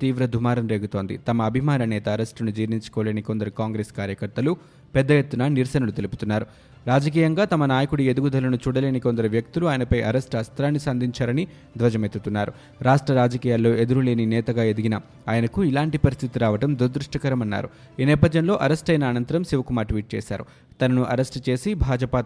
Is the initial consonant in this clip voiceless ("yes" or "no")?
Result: yes